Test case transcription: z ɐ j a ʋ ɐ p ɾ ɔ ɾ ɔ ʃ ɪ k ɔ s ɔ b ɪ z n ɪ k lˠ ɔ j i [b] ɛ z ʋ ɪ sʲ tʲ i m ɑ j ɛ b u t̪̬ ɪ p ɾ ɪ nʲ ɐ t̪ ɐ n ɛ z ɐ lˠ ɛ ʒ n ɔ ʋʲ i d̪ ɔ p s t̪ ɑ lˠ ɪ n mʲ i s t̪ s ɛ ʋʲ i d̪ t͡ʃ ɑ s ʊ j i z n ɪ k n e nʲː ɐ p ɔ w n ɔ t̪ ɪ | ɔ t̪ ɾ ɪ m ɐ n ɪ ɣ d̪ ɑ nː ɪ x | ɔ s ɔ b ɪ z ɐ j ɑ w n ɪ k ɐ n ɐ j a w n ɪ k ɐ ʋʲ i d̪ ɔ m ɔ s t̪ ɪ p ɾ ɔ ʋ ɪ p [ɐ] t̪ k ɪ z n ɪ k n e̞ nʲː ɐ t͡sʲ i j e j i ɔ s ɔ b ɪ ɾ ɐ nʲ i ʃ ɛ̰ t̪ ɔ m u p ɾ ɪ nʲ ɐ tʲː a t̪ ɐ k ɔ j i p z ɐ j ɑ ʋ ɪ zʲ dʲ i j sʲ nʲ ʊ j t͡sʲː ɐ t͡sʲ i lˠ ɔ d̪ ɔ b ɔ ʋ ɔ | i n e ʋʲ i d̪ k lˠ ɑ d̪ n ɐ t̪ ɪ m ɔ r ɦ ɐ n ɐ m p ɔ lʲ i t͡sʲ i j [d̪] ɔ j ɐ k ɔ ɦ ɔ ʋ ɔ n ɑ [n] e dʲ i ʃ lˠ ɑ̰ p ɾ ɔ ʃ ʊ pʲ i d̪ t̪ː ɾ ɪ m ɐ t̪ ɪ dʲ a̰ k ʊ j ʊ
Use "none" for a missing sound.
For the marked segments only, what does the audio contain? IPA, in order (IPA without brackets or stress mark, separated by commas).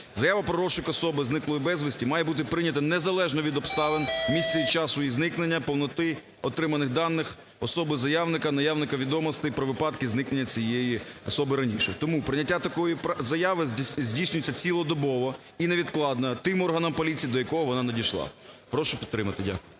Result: b, ɑ, d̪, n